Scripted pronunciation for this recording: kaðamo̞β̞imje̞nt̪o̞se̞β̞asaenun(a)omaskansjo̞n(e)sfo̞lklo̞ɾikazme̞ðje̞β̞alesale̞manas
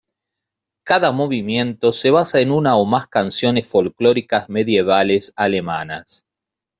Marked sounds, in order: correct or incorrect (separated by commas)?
correct, correct